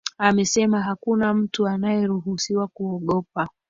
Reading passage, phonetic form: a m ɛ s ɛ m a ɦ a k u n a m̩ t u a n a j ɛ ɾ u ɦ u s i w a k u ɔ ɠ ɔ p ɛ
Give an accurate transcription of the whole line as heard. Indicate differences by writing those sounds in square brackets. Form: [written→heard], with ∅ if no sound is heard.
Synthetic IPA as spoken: a m ɛ s ɛ m a ɦ a k u n a m̩ t u a n a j ɛ ɾ u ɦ u s i w a k u ɔ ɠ ɔ p [ɛ→a]